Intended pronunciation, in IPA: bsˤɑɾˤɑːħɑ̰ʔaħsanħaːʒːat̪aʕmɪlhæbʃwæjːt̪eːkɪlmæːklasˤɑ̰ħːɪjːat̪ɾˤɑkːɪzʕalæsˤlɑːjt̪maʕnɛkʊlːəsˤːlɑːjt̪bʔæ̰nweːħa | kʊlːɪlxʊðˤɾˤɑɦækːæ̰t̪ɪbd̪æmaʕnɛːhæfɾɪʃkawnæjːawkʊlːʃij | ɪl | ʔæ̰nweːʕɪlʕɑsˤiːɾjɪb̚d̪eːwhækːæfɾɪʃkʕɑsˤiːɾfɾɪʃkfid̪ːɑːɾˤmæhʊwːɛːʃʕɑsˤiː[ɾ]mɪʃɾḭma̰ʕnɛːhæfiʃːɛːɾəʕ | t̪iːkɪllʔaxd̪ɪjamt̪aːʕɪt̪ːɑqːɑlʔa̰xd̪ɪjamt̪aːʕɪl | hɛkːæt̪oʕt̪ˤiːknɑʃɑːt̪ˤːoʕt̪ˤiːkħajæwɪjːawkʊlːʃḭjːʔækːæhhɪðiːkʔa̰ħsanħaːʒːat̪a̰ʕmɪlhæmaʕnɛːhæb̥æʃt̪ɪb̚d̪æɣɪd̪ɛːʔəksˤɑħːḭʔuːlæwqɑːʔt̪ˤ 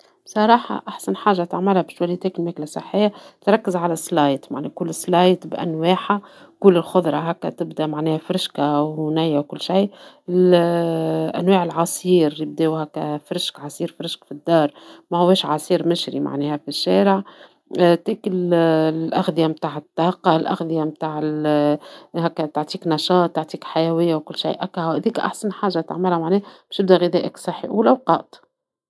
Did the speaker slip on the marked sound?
no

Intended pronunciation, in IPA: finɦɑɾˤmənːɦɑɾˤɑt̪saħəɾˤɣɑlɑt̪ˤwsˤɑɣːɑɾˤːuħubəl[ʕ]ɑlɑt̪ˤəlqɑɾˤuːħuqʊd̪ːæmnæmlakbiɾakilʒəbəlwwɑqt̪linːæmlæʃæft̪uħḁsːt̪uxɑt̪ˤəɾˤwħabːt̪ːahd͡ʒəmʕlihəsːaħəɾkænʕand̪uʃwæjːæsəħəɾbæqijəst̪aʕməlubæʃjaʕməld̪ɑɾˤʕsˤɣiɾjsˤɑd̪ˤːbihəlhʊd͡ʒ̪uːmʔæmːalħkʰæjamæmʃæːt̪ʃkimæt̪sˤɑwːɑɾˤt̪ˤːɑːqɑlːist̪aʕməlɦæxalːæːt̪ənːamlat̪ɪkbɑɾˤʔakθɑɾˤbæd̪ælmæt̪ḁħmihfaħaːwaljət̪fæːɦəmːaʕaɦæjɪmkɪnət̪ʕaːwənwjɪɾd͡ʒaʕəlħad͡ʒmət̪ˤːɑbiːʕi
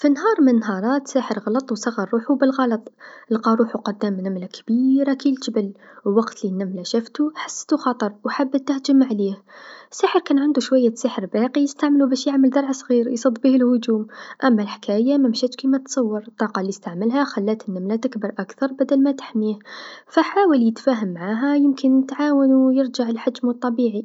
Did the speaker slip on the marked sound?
yes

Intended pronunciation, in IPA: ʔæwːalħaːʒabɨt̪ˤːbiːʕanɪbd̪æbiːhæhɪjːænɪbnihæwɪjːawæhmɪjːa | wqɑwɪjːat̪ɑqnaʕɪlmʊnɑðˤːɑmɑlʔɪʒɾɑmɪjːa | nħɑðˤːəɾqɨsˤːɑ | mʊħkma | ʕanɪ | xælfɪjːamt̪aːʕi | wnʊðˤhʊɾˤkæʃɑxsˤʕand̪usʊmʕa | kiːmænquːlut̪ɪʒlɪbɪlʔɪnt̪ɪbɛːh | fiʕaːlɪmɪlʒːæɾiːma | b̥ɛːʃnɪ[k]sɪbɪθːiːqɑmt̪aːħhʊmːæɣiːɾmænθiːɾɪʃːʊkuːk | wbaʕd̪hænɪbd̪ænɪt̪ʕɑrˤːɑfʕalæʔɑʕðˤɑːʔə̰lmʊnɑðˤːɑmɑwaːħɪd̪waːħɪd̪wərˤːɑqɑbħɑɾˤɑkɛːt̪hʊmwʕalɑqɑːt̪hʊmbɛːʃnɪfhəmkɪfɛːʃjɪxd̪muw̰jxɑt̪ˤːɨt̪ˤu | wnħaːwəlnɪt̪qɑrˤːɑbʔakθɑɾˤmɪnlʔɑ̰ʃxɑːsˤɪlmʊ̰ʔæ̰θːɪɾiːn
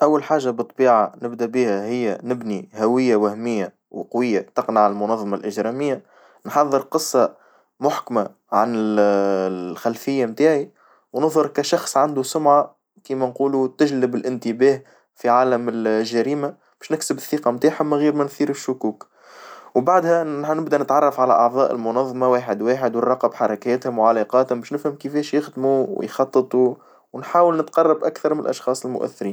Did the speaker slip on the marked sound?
no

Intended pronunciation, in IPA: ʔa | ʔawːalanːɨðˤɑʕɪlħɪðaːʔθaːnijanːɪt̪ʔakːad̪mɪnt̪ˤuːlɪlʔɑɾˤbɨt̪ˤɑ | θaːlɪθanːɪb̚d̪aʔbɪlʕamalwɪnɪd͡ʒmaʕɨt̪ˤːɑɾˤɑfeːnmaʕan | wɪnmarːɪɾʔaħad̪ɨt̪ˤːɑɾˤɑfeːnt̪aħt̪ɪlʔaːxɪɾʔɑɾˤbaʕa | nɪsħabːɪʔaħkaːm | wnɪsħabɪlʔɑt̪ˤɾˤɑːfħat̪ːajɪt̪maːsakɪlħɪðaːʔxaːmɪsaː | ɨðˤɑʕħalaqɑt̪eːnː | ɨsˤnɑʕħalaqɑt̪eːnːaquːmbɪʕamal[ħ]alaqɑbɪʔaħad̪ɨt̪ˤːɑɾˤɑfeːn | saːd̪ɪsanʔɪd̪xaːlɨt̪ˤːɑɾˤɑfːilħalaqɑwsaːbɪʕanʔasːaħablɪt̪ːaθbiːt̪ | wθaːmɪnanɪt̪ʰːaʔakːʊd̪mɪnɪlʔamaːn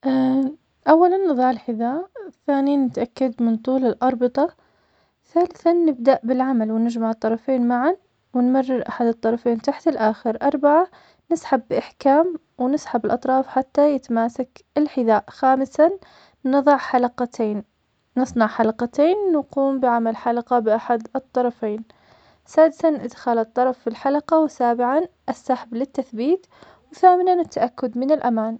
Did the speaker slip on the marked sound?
no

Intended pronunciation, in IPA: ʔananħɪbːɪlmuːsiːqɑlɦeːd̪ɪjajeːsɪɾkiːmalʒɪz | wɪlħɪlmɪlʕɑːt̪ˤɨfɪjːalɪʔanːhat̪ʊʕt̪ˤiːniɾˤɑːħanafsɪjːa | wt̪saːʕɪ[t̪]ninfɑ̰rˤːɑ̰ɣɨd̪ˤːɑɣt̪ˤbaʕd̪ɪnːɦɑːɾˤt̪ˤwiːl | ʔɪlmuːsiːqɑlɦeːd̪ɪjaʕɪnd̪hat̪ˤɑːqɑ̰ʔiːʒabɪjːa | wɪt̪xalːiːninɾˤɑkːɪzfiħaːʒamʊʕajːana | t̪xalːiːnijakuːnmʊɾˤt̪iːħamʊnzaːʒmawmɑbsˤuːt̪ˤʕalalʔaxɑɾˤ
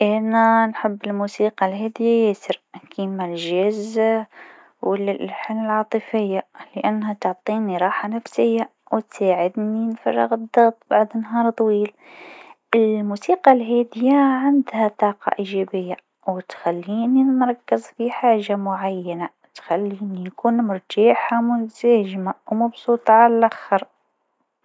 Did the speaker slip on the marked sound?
yes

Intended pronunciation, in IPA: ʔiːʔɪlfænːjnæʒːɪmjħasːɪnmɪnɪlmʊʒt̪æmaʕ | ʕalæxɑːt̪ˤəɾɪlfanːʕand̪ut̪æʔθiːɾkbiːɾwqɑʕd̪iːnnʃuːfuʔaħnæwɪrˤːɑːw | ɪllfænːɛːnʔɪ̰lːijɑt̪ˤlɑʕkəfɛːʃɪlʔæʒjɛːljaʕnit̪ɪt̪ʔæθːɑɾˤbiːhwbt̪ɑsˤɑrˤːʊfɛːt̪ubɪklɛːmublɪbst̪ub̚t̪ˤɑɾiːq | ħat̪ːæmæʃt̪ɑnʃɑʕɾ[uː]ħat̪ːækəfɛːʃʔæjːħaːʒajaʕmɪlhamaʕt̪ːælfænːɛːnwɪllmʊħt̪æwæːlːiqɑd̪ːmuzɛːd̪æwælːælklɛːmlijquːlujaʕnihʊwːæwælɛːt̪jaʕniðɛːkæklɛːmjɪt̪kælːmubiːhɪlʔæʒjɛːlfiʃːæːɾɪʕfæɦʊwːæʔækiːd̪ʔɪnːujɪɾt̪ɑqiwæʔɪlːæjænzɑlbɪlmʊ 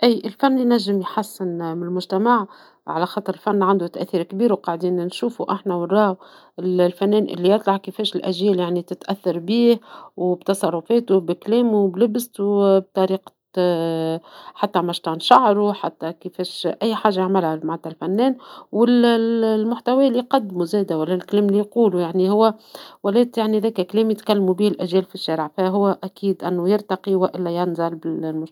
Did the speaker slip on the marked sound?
yes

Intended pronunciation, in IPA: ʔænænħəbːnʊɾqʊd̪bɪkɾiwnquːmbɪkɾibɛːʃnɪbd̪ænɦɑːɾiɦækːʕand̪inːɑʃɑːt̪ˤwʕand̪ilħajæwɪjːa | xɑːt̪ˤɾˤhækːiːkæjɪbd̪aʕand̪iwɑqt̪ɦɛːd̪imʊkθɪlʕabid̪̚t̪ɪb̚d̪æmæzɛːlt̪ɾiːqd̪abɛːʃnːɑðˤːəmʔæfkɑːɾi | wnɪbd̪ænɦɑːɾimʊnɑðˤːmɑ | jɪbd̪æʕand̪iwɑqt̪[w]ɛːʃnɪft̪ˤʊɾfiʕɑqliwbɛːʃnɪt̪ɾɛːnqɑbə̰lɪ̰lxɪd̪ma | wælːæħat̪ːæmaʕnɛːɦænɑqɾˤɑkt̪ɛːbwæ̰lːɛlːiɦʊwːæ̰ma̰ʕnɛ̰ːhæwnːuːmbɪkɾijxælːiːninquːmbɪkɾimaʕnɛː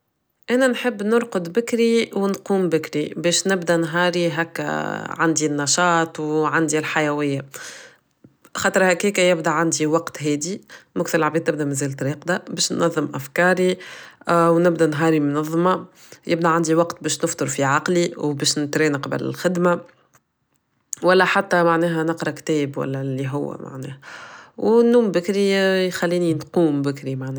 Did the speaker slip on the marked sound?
yes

